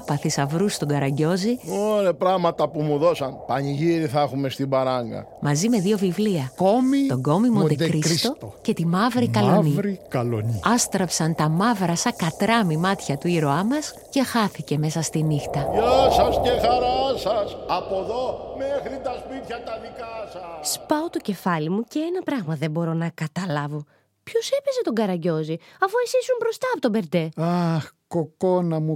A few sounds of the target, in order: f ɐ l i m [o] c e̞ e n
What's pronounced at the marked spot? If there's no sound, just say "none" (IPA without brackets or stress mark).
u